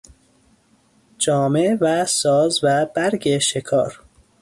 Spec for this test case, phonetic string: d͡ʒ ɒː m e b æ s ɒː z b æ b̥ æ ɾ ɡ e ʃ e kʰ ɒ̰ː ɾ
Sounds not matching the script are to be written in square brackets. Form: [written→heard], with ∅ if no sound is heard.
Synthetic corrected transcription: d͡ʒ ɒː m e [b→v] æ s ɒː z [b→v] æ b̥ æ ɾ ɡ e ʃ e kʰ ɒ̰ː ɾ